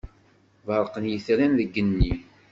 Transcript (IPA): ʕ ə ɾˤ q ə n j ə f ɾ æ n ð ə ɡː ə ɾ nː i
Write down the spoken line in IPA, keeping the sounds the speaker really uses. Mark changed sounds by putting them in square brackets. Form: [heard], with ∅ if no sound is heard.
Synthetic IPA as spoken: [v] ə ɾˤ q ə n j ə [θ] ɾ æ n ð ə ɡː ə [∅] nː i